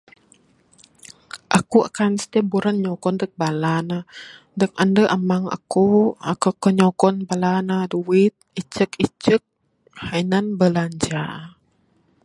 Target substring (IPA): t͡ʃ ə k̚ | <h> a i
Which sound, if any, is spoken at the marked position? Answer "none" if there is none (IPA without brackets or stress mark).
h